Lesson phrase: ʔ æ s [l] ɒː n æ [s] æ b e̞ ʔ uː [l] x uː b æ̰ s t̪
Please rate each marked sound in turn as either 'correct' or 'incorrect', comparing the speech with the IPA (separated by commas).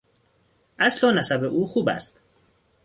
correct, correct, incorrect